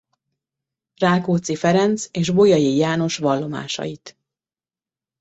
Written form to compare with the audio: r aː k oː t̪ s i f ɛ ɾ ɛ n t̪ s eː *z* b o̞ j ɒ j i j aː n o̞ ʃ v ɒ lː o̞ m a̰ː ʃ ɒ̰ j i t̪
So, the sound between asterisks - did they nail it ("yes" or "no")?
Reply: no